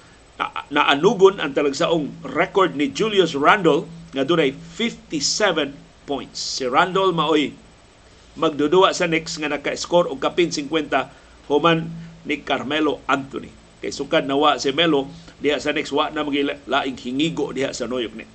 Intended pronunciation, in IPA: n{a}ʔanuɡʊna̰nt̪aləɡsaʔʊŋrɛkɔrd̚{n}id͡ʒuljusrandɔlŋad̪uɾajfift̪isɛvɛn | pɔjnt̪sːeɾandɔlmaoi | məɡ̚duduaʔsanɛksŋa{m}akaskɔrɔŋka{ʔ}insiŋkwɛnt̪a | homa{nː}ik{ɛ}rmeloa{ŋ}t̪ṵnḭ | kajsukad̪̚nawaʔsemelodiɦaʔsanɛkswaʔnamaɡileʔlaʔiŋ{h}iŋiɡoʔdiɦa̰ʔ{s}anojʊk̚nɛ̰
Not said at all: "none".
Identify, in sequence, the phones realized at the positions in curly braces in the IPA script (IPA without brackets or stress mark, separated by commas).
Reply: a, n, n, p, nː, a, n, h, s